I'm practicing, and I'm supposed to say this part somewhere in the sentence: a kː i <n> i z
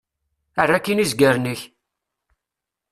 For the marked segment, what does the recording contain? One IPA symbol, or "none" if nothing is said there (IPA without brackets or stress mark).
n